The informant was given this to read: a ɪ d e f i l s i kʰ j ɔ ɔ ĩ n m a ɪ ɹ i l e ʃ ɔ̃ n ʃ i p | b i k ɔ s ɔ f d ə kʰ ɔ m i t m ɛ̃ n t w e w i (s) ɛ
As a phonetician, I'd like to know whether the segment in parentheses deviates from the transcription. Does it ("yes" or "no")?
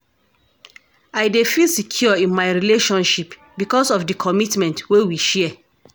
yes